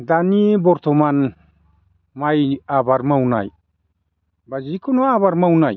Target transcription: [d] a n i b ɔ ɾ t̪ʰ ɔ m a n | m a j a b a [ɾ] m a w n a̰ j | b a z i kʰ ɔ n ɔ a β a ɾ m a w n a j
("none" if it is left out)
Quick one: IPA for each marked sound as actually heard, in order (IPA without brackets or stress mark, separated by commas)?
d, ɾ